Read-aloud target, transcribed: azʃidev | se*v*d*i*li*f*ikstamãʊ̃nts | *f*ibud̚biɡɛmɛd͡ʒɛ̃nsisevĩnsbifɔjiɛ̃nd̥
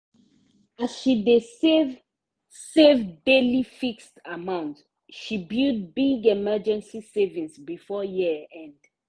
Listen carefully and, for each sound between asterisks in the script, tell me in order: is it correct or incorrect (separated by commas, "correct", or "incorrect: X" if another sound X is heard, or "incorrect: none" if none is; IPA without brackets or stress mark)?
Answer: correct, incorrect: e, correct, incorrect: ʃ